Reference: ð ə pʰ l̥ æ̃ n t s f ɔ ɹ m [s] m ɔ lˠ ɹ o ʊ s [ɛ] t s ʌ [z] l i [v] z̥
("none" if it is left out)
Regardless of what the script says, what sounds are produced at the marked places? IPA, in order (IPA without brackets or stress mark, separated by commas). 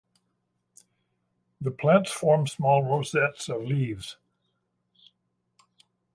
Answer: s, ɛ, v, v